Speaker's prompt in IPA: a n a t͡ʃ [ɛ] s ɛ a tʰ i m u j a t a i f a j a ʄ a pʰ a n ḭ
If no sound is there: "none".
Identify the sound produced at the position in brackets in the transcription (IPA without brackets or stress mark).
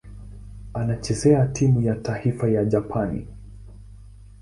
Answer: ɛ